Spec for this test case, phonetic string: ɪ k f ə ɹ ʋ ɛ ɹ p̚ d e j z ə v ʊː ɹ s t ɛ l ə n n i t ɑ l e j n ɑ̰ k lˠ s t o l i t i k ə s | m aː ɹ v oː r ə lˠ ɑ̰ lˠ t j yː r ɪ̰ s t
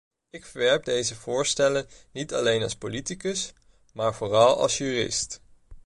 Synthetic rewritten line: ɪ k f ə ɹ ʋ ɛ ɹ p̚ d e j z ə v ʊː ɹ s t ɛ l ə n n i t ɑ l e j n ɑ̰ lˠ s p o l i t i k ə s | m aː ɹ v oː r ɑ lˠ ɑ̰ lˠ s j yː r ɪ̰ s t